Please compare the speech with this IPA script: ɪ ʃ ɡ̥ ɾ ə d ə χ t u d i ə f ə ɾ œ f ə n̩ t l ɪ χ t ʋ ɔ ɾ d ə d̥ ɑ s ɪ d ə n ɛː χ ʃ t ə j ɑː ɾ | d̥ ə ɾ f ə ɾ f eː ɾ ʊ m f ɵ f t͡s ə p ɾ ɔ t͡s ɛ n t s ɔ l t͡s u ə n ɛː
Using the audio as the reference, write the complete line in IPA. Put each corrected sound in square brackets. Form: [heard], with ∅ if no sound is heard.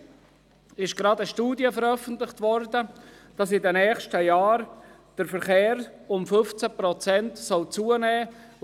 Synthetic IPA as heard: ɪ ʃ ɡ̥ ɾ [ɑ] d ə [ʃ] t [uː] d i ə f ə ɾ œ f ə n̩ t l ɪ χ t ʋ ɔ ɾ d ə d̥ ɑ s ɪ d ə n ɛː χ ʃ t ə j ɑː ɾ | d̥ ə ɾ f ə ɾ [χ] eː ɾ ʊ m f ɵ f t͡s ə p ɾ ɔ t͡s ɛ n t s ɔ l t͡s u ə n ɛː